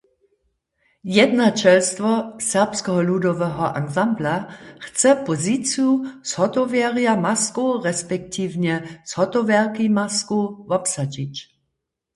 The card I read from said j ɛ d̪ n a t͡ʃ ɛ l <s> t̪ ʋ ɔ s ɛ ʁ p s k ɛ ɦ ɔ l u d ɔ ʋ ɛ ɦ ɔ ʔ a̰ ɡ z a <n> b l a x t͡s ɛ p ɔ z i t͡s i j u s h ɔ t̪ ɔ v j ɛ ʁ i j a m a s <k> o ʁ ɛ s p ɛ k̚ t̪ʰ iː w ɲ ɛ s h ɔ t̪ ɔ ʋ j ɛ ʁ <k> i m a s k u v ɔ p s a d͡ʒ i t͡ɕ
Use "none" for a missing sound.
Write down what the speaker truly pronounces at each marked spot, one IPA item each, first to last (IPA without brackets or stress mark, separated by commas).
s, m, k, k